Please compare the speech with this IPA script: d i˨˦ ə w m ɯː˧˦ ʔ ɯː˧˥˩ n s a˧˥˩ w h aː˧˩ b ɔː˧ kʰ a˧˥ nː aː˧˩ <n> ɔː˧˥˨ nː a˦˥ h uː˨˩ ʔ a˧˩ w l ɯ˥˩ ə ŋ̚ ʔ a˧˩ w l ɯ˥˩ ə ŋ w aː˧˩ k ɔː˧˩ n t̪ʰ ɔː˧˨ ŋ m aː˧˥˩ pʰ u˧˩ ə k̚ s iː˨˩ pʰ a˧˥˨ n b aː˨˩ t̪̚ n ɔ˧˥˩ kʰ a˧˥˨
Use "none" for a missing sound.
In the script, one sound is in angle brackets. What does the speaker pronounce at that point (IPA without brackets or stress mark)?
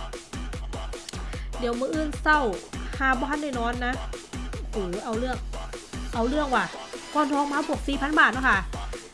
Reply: n